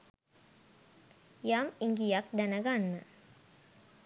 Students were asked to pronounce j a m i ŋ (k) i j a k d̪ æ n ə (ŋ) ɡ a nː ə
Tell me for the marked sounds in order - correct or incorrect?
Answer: incorrect, incorrect

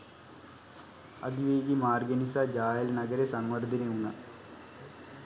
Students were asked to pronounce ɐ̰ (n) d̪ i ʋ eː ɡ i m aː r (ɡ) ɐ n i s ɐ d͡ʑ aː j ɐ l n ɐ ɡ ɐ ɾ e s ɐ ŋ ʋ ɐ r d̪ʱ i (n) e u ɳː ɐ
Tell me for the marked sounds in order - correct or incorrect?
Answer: incorrect, correct, correct

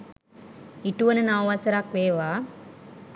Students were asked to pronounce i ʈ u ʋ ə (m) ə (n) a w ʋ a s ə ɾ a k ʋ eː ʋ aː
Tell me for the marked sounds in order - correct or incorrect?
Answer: incorrect, correct

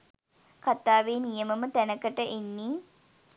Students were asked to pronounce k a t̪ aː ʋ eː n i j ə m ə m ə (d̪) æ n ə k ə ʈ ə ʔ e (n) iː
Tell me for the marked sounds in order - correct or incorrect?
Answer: incorrect, incorrect

